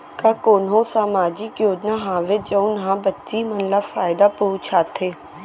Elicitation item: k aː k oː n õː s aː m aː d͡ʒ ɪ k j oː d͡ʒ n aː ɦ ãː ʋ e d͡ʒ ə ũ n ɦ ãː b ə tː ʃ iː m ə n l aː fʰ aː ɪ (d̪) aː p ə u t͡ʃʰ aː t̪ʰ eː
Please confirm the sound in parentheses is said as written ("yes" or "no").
yes